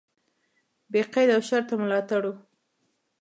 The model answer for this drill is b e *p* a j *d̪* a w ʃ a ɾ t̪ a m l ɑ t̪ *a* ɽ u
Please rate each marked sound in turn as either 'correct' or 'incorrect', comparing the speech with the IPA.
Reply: incorrect, correct, correct

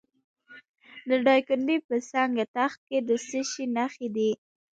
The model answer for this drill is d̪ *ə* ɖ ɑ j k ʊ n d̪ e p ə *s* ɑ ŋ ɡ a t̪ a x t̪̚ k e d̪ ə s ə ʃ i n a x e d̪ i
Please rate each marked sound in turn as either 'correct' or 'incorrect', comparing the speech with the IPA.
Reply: correct, correct

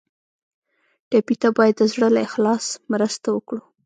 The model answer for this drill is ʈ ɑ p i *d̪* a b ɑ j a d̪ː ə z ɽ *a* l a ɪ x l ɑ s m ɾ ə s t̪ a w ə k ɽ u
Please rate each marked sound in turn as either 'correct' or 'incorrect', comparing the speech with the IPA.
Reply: incorrect, incorrect

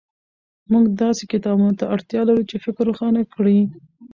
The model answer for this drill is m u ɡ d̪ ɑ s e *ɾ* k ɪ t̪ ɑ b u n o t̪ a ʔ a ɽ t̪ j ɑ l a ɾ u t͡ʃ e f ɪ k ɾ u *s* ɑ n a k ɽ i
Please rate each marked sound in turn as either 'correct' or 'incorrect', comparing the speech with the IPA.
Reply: incorrect, incorrect

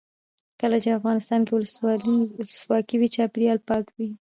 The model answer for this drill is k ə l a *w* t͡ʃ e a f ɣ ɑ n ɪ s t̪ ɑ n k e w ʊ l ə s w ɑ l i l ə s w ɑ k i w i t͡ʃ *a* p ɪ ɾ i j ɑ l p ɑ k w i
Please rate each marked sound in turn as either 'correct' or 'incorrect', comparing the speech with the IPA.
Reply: incorrect, incorrect

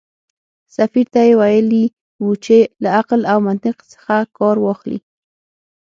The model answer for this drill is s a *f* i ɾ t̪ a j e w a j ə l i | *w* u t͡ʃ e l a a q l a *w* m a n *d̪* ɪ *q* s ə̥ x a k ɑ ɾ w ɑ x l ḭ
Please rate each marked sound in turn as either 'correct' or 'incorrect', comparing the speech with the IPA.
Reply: correct, correct, correct, incorrect, correct

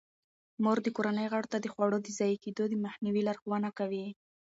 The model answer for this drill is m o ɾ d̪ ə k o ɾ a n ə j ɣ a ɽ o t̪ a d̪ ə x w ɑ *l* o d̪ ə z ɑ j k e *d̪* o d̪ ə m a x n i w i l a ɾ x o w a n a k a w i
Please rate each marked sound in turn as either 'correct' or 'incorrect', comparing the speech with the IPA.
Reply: incorrect, correct

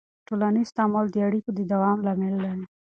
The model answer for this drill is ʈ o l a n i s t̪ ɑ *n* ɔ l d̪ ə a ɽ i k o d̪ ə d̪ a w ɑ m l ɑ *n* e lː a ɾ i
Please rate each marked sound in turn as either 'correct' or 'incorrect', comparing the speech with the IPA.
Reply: incorrect, incorrect

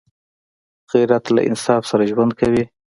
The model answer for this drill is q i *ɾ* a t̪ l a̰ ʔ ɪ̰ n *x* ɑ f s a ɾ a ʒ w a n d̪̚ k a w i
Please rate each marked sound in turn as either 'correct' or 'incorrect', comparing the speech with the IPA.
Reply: correct, incorrect

